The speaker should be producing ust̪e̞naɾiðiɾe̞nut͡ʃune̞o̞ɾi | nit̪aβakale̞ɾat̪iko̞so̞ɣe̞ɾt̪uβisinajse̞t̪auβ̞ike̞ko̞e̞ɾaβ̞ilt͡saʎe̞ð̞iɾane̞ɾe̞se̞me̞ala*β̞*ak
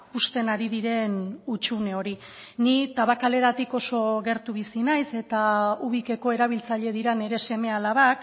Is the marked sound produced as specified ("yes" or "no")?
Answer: yes